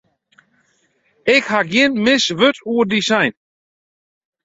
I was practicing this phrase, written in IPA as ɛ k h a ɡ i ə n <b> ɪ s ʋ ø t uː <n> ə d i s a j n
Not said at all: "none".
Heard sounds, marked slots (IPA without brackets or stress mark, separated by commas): m, none